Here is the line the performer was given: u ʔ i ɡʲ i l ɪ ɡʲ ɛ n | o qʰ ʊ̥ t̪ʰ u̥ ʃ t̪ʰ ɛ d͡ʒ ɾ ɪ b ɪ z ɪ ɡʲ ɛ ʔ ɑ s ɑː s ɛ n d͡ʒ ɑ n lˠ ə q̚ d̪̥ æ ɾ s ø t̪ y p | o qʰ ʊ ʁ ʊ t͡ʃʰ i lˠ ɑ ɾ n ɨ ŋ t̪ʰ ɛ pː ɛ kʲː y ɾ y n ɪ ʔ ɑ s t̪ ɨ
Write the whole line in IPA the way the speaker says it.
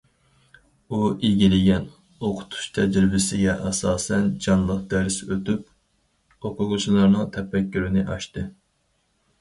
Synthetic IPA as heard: u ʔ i ɡʲ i l ɪ ɡʲ ɛ n | o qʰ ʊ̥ t̪ʰ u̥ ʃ t̪ʰ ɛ d͡ʒ ɾ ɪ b ɪ s ɪ ɡʲ ɛ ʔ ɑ s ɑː s ɛ n d͡ʒ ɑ n lˠ ə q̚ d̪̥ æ ɾ s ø t̪ y p | o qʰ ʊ ʁ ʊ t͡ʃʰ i lˠ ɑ ɾ n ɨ ŋ t̪ʰ ɛ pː ɛ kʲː y ɾ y n ɪ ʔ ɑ ʃ t̪ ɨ